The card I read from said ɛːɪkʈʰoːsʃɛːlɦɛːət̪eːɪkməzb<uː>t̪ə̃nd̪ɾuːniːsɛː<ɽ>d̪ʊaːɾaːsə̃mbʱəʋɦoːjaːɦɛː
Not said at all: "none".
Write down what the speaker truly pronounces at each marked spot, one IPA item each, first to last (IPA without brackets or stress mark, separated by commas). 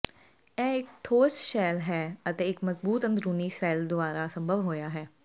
uː, l